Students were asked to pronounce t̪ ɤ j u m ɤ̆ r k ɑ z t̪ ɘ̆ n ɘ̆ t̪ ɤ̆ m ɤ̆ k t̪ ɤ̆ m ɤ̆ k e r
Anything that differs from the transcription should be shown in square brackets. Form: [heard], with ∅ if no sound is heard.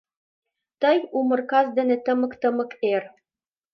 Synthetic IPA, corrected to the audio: t̪ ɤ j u m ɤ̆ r k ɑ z [d̪] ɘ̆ n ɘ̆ t̪ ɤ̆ m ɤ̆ k t̪ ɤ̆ m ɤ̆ k e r